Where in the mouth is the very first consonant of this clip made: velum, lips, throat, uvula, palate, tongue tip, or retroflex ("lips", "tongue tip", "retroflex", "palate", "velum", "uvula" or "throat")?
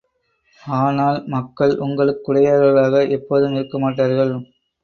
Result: tongue tip